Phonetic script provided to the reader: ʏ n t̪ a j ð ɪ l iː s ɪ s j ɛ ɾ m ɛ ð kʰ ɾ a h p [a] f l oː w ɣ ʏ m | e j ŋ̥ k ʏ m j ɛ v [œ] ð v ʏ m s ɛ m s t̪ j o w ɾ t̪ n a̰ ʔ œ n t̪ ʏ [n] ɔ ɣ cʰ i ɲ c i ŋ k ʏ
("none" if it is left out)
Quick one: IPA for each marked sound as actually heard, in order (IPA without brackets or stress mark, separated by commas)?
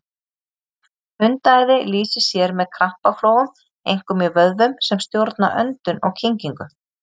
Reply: a, œ, n